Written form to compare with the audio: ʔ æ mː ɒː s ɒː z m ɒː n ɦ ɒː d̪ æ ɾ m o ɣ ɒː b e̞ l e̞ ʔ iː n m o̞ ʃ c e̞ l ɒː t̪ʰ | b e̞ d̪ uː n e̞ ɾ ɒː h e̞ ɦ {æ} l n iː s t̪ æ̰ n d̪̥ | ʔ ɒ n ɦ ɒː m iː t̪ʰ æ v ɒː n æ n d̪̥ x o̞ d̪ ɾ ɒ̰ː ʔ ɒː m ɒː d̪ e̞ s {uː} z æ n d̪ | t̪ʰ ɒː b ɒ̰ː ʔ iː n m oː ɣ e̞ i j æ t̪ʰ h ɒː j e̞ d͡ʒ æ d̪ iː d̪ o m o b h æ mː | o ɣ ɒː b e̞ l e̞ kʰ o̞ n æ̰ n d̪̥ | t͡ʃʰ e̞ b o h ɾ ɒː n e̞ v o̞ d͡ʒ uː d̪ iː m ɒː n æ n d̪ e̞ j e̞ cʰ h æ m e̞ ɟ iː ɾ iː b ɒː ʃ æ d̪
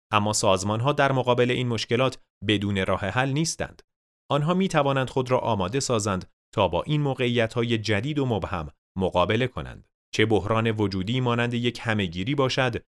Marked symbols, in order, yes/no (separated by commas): yes, no